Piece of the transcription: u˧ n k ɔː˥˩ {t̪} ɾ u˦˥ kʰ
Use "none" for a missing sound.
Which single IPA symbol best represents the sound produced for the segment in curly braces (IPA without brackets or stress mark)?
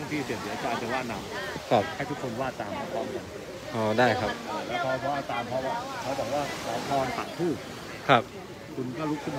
none